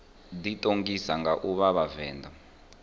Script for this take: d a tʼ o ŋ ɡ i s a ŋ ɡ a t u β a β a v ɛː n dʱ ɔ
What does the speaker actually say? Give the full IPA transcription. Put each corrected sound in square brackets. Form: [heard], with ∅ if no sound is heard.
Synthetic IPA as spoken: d [i] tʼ o ŋ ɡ i s a ŋ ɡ a [ʔ] u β a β a v ɛː n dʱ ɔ